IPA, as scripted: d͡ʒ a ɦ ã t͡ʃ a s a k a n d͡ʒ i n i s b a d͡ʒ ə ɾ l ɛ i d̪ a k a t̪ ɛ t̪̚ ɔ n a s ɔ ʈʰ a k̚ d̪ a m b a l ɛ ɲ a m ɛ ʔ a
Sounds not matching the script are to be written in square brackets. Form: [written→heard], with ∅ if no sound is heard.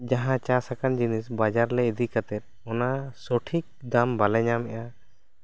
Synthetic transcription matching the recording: d͡ʒ a ɦ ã t͡ʃ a s a k a n d͡ʒ i n i s b a d͡ʒ [ə→a] ɾ l ɛ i d̪ [a→i] k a t̪ ɛ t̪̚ ɔ n a s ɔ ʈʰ [a→i] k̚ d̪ a m b a l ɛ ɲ a m ɛ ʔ a